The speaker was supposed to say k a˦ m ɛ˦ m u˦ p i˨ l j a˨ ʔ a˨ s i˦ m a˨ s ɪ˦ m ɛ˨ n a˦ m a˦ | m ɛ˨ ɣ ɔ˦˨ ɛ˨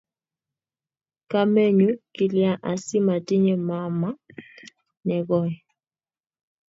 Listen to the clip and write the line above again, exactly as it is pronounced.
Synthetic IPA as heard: k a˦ m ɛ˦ ɲ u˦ k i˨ l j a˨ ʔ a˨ s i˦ m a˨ t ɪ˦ ɲ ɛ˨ m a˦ m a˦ | n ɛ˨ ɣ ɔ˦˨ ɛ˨